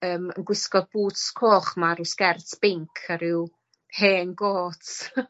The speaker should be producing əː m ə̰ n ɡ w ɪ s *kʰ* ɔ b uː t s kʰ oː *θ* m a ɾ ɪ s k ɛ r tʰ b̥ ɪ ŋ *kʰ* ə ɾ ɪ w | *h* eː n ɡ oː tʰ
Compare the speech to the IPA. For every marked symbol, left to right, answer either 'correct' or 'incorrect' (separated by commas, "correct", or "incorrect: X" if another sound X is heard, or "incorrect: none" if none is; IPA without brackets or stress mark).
incorrect: k, incorrect: χ, correct, correct